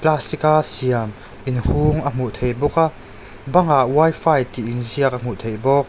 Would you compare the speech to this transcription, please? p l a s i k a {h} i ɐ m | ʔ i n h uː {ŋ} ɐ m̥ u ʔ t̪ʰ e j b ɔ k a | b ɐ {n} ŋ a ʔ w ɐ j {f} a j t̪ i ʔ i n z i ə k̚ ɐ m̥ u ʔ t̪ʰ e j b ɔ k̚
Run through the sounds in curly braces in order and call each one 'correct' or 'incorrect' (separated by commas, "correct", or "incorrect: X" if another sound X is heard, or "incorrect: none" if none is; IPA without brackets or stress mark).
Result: incorrect: s, correct, incorrect: none, correct